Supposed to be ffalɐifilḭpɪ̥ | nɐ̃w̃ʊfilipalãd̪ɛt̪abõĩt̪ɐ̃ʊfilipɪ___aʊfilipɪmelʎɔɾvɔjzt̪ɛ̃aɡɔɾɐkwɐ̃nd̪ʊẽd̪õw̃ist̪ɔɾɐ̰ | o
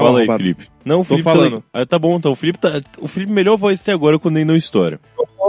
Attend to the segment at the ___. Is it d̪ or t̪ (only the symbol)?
t̪